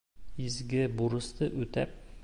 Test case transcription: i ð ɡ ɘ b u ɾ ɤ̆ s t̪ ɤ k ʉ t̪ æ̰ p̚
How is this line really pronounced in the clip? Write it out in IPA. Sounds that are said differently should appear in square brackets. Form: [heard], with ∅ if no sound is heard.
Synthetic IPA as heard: i [z] ɡ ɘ b u ɾ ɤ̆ s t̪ ɤ [ʔ] ʉ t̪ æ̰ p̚

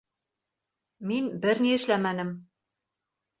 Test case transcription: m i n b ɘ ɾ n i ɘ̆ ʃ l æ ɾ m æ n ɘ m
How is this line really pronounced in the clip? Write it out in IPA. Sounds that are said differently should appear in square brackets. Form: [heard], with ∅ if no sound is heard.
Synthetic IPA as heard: m i n b ɘ ɾ n i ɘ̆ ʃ l æ [∅] m æ n ɘ m

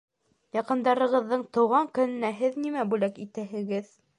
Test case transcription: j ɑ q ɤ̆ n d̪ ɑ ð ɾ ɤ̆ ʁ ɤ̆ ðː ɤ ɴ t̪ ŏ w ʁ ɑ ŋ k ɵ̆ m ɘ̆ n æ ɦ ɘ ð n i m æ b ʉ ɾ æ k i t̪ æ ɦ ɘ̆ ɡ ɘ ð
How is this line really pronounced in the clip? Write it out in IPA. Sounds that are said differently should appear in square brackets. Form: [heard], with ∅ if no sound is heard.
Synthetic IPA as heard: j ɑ q ɤ̆ n d̪ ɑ [∅] ɾ ɤ̆ ʁ ɤ̆ ðː ɤ ɴ t̪ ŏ w ʁ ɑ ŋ k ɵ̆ [n] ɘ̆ n æ ɦ ɘ ð n i m æ b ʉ [l] æ k i t̪ æ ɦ ɘ̆ ɡ ɘ ð

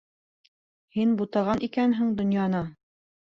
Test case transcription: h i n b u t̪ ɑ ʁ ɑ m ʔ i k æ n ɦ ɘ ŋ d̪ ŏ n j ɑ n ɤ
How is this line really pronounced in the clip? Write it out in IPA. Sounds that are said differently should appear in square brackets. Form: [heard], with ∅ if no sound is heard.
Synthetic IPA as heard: h i n b u t̪ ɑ ʁ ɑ [n] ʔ i k æ n ɦ ɘ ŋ d̪ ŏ n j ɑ n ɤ

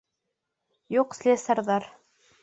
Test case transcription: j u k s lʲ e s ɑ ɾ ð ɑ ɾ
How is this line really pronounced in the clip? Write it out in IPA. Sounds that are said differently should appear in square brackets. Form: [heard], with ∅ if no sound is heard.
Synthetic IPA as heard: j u [q] s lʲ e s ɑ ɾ ð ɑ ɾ

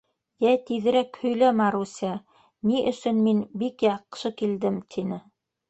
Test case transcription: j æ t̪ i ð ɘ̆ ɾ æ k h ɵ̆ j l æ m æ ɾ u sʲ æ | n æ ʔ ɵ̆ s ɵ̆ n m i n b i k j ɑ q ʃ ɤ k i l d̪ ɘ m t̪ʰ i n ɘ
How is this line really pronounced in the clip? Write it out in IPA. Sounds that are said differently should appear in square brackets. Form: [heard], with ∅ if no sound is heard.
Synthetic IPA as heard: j æ t̪ i ð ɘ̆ ɾ æ k h ɵ̆ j l æ m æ ɾ u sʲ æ | n [i] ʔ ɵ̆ s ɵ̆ n m i n b i k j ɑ q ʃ ɤ k i l d̪ ɘ m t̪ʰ i n ɘ

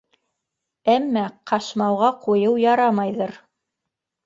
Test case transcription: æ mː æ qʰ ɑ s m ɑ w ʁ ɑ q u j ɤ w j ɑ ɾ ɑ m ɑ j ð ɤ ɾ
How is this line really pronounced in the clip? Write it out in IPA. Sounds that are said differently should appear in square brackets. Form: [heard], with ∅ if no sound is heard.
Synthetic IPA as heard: æ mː æ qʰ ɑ [ʃ] m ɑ w ʁ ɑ q u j ɤ w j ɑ ɾ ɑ m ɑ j ð ɤ ɾ

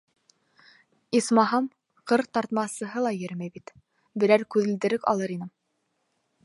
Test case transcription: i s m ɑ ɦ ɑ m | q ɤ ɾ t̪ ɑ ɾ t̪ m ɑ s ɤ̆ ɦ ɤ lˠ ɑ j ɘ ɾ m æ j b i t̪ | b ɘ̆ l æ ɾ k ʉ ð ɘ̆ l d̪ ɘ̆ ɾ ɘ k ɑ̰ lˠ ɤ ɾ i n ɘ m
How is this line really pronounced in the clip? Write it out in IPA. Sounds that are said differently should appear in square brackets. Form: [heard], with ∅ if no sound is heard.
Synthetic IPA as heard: i s m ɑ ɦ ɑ m | q ɤ ɾ t̪ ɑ ɾ t̪ m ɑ s ɤ̆ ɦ ɤ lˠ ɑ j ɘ ɾ m æ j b i t̪ | b ɘ̆ [ɾ] æ ɾ k ʉ ð ɘ̆ l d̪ ɘ̆ ɾ ɘ k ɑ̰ lˠ ɤ ɾ i n ɘ m

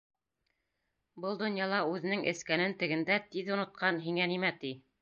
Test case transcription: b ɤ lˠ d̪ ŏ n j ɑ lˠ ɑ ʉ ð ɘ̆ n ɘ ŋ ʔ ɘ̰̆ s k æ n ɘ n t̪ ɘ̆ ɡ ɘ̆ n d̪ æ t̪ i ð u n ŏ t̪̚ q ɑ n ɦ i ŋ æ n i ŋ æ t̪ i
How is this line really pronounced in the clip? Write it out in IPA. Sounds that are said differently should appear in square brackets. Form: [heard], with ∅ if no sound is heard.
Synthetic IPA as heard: b ɤ lˠ d̪ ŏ n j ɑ lˠ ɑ ʉ ð ɘ̆ n ɘ ŋ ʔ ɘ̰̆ s k æ n ɘ n t̪ ɘ̆ ɡ ɘ̆ n d̪ æ t̪ i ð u n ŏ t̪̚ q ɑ n ɦ i ŋ æ n i [m] æ t̪ i

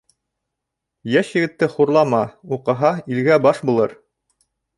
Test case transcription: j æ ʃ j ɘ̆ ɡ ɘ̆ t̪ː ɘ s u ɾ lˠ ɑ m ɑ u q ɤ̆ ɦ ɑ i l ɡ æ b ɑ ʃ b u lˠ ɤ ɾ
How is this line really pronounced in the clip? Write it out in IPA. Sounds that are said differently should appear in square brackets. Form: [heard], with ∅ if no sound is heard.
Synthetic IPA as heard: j æ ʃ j ɘ̆ ɡ ɘ̆ t̪ː ɘ [χ] u ɾ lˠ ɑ m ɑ u q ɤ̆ ɦ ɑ i l ɡ æ b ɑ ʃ b u lˠ ɤ ɾ

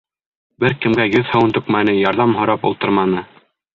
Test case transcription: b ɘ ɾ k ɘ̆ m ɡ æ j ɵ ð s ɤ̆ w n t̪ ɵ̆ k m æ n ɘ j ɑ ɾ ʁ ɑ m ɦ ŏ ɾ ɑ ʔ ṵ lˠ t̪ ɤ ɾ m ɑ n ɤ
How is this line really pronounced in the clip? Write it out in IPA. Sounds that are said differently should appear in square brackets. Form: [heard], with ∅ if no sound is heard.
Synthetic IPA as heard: b ɘ ɾ k ɘ̆ m ɡ æ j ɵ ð [h] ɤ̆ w n t̪ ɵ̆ k m æ n ɘ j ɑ ɾ [ð] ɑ m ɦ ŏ ɾ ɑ [p] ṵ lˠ t̪ ɤ ɾ m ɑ n ɤ

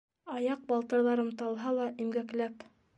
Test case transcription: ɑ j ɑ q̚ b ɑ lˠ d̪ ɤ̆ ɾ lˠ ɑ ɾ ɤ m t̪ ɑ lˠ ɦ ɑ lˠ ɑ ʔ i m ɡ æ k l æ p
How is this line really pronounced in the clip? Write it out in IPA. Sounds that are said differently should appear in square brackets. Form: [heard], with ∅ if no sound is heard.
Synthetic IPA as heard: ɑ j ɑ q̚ b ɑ lˠ [t̪] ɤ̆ ɾ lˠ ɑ ɾ ɤ m t̪ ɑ lˠ ɦ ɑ lˠ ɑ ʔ i m ɡ æ k l æ p

